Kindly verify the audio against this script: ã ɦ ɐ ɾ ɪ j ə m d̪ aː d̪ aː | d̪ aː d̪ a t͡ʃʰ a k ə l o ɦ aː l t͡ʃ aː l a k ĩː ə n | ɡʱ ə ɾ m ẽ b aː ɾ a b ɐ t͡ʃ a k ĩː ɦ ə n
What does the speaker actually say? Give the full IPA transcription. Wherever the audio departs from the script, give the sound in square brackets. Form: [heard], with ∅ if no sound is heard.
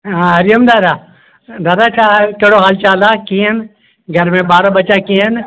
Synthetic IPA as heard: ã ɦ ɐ ɾ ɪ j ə m d̪ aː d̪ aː | d̪ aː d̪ a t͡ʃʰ a k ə [ɽ] o ɦ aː l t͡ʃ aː l a k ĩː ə n | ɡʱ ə ɾ m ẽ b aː ɾ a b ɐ t͡ʃ a k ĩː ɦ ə n